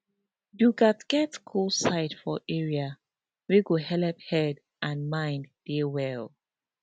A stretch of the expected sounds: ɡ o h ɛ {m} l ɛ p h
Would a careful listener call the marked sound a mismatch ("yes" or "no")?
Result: yes